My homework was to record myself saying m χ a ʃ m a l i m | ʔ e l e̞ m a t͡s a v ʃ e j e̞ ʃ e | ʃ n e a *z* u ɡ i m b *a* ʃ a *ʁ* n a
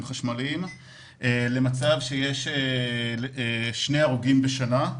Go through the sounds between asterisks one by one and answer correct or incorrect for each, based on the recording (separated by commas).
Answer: incorrect, incorrect, incorrect